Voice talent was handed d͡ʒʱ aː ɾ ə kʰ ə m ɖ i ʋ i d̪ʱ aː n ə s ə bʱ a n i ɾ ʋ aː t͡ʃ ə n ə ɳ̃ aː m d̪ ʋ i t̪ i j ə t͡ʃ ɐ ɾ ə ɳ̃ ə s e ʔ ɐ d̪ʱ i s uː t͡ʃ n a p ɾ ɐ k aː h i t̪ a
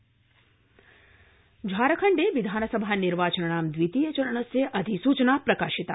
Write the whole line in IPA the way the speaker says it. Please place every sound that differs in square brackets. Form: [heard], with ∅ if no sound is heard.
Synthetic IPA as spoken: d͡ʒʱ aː ɾ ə kʰ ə [ɳ] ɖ [e] ʋ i d̪ʱ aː n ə s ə bʱ a n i ɾ ʋ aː t͡ʃ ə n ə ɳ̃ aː m d̪ ʋ i t̪ i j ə t͡ʃ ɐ ɾ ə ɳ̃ ə s e ʔ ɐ d̪ʱ i s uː t͡ʃ n a p ɾ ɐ k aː [ʃ] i t̪ a

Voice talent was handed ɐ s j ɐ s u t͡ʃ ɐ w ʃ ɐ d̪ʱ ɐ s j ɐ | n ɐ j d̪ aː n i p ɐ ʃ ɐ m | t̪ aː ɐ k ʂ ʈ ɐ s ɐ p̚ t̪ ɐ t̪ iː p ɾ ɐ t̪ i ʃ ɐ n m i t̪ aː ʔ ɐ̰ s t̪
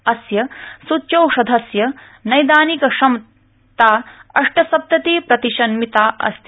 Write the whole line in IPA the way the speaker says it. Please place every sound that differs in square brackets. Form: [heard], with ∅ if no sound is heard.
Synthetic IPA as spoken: ɐ s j ɐ s u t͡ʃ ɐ w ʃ ɐ d̪ʱ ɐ s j ɐ | n ɐ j d̪ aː n i [k] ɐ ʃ ɐ m | t̪ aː ɐ [∅] ʂ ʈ ɐ s ɐ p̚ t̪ ɐ t̪ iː p ɾ ɐ t̪ i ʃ ɐ n m i t̪ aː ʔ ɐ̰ s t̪

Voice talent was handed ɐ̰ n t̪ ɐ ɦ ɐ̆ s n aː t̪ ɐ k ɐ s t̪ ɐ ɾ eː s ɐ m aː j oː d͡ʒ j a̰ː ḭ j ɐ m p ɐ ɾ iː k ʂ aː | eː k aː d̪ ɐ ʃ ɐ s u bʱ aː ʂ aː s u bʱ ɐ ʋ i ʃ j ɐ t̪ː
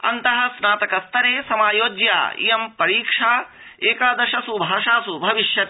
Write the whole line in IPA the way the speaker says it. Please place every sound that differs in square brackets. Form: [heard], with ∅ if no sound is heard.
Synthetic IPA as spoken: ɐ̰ n t̪ ɐ ɦ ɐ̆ s n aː t̪ ɐ k ɐ s t̪ ɐ ɾ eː s ɐ m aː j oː d͡ʒ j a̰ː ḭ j ɐ m p ɐ ɾ iː k ʂ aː | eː k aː d̪ ɐ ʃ ɐ s u bʱ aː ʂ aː s u bʱ ɐ ʋ i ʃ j ɐ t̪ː

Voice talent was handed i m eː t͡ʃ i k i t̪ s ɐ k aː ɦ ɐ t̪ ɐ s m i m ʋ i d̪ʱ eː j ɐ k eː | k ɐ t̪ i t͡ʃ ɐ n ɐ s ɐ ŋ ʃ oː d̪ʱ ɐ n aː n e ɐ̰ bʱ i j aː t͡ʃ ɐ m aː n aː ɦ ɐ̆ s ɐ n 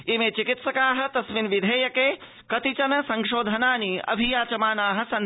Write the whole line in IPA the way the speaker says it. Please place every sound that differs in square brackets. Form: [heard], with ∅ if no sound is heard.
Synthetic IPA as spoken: i m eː t͡ʃ i k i t̪ s ɐ k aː ɦ ɐ t̪ ɐ s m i [n] ʋ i d̪ʱ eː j ɐ k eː | k ɐ t̪ i t͡ʃ ɐ n ɐ s ɐ ŋ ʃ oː d̪ʱ ɐ n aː n [i] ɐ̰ bʱ i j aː t͡ʃ ɐ m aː n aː ɦ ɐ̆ s ɐ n

